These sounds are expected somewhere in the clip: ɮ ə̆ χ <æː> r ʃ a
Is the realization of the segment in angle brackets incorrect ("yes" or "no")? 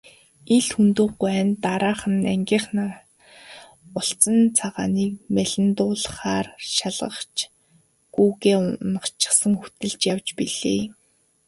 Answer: yes